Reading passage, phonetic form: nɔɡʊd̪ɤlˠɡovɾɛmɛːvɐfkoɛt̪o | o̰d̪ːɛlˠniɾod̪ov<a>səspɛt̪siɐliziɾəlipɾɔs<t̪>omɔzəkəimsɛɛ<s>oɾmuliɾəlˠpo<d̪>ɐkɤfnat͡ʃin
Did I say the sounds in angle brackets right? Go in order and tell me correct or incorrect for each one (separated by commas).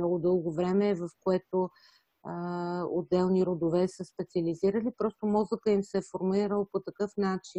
incorrect, correct, incorrect, incorrect